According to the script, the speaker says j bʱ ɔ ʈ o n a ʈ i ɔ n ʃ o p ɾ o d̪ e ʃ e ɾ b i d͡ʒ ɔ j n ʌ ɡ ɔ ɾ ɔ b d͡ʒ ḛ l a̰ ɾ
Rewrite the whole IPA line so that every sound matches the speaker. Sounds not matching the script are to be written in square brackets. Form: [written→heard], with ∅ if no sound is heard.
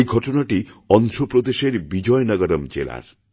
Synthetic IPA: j [bʱ→ɡʱ] ɔ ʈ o n a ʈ i ɔ n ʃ o p ɾ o d̪ e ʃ e ɾ b i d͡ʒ ɔ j n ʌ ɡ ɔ ɾ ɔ [b→m] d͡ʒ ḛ l a̰ ɾ